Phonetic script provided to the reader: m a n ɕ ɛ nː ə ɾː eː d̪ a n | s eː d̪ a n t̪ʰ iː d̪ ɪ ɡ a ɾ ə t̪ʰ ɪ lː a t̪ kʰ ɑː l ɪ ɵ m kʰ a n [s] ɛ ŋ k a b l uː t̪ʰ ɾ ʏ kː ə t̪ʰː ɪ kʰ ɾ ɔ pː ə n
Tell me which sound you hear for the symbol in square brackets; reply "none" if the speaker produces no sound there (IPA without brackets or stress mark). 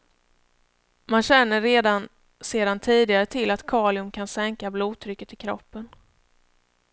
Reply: s